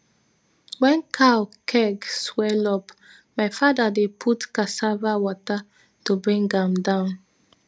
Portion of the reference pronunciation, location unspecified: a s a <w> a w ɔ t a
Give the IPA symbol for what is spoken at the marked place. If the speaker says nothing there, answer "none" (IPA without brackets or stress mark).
v